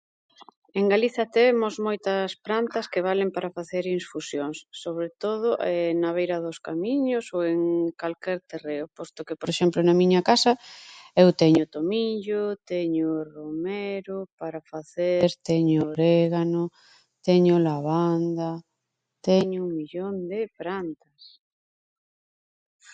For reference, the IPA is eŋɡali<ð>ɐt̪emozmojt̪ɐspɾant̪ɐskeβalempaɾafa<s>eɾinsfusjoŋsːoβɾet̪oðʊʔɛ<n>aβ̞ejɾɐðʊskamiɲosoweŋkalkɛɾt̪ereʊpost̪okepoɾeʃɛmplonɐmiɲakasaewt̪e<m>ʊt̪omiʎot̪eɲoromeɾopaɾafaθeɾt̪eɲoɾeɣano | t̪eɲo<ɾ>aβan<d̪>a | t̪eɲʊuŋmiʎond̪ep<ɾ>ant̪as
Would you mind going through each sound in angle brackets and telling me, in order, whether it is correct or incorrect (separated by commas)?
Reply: incorrect, incorrect, correct, incorrect, incorrect, correct, correct